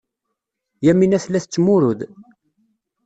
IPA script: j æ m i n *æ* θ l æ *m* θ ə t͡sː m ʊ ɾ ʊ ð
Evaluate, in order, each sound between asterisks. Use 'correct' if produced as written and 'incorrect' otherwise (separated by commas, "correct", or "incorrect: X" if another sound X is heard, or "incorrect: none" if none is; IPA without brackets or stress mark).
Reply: correct, incorrect: none